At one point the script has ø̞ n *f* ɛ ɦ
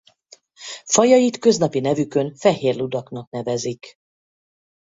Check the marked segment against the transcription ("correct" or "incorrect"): correct